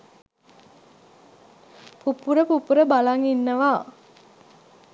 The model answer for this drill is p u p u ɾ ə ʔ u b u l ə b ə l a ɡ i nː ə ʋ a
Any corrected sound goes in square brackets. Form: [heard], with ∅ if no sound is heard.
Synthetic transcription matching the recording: p u p u ɾ ə [p] u [p] u [ɾ] ə b [a] l a [ŋ] i nː ə ʋ a